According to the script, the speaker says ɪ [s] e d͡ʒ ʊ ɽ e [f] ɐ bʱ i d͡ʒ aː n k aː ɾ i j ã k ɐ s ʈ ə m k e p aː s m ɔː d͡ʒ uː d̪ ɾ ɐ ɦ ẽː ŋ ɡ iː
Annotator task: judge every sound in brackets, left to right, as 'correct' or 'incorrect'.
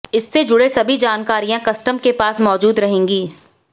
incorrect, incorrect

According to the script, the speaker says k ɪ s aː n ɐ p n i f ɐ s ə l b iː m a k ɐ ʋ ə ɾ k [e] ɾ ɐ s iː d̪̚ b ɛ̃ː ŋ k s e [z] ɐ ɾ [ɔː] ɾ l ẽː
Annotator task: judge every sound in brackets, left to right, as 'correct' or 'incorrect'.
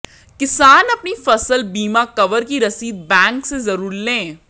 incorrect, correct, incorrect

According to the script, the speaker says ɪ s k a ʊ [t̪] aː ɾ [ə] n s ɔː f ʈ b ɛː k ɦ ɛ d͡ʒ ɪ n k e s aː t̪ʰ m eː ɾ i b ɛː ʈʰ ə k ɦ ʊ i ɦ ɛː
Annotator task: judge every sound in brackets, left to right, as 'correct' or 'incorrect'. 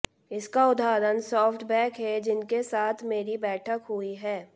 incorrect, correct

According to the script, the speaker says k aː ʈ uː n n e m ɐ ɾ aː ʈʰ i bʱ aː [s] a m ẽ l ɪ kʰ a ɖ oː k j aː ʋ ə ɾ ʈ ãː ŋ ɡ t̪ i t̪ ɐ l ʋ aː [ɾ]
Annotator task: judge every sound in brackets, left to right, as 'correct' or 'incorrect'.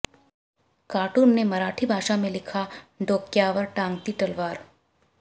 incorrect, correct

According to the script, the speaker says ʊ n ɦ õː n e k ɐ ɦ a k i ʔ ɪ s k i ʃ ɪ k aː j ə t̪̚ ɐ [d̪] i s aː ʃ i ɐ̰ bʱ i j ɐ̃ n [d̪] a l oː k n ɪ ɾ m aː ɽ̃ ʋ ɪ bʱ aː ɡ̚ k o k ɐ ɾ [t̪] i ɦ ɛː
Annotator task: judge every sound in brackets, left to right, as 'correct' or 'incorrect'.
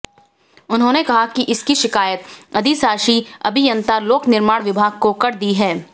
correct, incorrect, incorrect

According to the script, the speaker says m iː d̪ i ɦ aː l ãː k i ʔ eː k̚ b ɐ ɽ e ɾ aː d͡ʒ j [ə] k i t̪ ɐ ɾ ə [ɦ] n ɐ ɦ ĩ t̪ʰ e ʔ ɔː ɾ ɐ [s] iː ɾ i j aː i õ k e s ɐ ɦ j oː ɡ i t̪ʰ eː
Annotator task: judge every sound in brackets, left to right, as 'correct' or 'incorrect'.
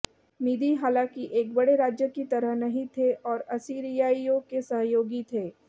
correct, correct, correct

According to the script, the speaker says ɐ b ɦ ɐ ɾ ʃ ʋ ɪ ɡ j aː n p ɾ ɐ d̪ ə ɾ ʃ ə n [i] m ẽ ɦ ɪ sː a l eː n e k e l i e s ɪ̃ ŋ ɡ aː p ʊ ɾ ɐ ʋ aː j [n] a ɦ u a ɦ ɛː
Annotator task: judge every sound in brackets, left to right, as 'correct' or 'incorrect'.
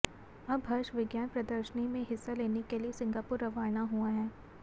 correct, correct

